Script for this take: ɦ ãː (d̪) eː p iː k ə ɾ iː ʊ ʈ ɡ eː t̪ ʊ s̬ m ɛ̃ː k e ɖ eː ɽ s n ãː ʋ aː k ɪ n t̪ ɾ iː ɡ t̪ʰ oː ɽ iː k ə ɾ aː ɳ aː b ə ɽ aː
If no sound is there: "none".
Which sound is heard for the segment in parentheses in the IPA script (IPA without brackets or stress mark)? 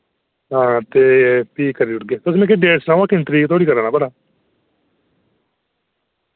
t̪